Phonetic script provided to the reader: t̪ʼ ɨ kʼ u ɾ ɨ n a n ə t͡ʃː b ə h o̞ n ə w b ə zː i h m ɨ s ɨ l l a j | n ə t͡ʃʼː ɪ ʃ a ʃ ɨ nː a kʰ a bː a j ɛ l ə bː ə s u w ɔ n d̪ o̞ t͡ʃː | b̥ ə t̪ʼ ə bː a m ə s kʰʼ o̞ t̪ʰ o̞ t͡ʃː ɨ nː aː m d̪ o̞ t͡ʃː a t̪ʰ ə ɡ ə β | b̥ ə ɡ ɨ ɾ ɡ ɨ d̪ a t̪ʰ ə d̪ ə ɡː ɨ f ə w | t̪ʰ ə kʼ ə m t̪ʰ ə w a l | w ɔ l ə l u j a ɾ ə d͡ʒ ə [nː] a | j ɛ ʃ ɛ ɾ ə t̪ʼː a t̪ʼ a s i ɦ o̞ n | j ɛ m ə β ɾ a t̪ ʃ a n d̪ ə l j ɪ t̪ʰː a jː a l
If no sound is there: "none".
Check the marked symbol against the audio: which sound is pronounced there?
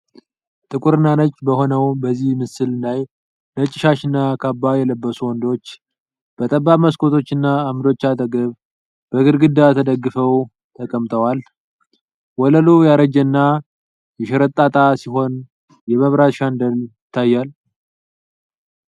nː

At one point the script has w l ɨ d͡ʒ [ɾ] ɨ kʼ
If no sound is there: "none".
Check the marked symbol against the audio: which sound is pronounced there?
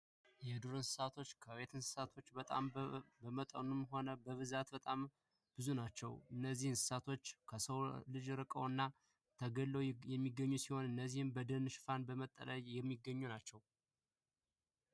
ɾ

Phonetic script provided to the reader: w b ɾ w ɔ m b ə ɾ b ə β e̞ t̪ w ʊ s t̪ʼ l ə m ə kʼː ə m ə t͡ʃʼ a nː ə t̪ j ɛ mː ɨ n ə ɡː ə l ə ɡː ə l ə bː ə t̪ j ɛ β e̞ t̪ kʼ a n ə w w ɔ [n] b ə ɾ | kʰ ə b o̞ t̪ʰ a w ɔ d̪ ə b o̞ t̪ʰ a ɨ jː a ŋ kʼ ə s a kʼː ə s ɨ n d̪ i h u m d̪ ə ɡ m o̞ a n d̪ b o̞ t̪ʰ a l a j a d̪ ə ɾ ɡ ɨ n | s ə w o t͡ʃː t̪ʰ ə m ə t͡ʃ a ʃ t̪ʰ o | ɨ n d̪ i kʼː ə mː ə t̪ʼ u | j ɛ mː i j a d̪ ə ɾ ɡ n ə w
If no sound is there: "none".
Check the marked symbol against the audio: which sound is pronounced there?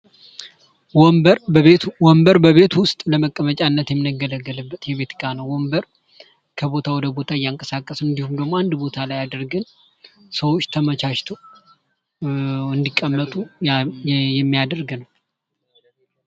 m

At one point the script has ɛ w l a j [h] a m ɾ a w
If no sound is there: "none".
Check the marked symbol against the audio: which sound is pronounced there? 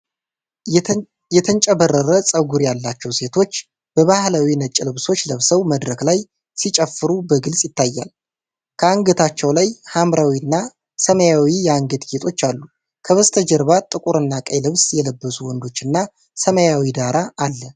h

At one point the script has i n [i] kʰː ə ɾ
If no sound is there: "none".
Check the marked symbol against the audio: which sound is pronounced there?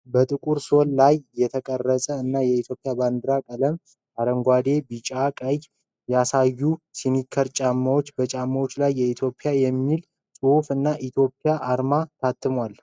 i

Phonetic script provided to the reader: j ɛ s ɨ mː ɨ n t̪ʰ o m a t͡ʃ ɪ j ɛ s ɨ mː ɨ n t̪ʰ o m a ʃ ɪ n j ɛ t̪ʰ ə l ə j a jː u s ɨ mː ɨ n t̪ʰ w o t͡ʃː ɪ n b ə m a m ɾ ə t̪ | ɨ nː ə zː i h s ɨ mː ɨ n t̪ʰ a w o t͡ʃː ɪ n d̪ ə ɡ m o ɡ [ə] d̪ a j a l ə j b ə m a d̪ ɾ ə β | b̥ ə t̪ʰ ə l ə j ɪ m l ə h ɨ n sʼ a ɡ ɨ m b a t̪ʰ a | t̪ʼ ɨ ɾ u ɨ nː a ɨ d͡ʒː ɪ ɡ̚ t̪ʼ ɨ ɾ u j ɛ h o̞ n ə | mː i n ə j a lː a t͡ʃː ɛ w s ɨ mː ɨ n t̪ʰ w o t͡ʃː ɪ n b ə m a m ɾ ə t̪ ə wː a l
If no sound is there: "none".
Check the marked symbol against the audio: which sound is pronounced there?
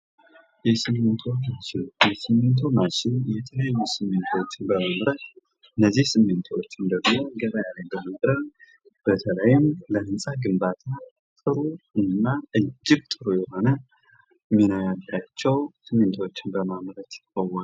ə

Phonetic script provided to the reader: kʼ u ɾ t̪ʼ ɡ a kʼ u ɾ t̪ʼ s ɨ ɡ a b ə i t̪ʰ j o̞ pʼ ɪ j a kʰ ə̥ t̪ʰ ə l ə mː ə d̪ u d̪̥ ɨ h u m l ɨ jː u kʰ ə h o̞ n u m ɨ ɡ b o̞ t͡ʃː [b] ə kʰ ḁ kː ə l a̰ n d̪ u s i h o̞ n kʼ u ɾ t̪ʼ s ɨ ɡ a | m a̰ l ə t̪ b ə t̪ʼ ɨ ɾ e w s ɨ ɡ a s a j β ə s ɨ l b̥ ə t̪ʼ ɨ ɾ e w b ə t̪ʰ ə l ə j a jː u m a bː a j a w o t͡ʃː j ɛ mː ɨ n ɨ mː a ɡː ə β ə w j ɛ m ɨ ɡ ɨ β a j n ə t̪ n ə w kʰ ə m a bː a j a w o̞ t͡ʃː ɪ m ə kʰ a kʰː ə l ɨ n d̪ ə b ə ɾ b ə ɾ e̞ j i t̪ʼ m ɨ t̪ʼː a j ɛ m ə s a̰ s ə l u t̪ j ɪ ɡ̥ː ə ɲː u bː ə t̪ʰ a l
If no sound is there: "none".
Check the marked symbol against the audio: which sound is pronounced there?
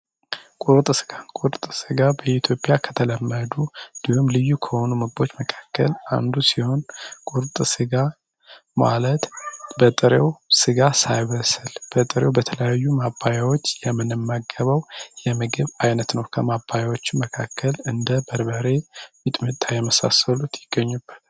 m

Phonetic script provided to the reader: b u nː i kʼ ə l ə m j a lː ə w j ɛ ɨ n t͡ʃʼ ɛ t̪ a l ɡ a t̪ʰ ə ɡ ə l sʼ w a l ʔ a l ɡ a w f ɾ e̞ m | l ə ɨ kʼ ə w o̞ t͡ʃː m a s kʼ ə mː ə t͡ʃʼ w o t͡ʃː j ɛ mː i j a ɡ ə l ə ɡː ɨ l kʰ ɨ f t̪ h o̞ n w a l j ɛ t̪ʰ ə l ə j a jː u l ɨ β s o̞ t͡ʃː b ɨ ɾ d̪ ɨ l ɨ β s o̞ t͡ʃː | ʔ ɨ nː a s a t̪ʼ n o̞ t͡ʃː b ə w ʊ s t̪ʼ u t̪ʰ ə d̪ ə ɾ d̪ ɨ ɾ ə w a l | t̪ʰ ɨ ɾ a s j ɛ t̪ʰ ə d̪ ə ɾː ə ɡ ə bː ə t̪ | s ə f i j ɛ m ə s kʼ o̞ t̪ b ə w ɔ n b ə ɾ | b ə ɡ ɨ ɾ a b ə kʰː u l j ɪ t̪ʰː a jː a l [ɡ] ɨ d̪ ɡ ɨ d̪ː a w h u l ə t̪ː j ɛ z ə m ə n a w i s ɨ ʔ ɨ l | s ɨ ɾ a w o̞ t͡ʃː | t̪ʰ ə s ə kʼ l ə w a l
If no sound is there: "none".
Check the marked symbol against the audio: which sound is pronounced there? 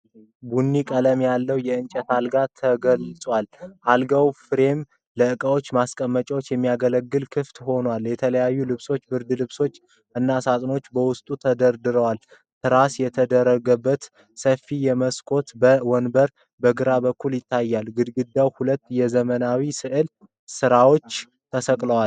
ɡ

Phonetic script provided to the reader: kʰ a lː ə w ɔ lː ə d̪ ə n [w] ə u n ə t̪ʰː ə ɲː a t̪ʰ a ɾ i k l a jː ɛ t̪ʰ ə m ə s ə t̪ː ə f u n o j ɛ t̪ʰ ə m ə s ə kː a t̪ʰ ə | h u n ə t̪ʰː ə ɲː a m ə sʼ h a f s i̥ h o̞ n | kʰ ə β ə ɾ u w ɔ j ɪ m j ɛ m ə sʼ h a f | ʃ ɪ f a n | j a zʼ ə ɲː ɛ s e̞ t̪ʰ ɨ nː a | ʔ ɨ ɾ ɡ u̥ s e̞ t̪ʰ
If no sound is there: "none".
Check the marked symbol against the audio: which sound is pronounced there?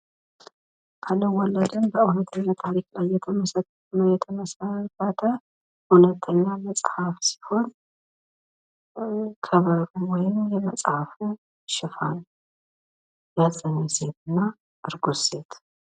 b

